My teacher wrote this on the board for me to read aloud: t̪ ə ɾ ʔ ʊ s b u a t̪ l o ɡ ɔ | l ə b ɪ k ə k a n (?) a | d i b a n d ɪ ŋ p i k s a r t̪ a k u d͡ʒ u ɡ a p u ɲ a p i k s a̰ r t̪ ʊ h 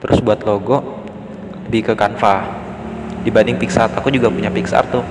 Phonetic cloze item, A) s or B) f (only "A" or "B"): B